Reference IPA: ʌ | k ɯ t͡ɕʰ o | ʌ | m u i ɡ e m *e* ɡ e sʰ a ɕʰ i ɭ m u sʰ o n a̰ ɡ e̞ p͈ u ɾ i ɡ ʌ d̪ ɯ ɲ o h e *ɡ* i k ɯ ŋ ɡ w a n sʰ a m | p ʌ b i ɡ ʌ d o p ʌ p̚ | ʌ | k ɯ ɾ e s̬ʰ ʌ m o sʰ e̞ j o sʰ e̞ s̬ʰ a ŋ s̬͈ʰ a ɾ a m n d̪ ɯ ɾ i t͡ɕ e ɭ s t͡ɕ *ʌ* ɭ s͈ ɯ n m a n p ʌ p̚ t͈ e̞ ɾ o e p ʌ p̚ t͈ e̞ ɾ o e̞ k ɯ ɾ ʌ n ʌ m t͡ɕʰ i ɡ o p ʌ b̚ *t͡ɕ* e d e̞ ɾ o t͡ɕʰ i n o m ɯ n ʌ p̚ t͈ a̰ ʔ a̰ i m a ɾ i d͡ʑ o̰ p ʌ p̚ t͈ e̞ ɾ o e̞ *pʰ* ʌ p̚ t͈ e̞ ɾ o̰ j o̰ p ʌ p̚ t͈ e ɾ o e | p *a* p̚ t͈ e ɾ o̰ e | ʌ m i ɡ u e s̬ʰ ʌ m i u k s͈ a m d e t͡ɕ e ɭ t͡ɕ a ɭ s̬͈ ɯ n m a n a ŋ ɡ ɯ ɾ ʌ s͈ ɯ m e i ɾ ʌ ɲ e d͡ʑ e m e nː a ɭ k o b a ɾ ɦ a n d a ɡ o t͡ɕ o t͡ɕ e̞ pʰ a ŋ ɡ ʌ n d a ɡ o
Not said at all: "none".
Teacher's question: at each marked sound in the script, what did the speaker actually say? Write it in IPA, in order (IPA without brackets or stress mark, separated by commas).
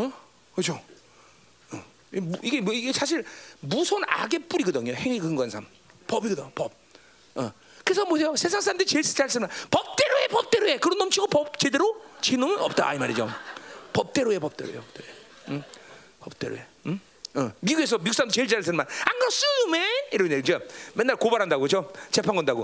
i, ŋ, a, t͡ɕ, p, ʌ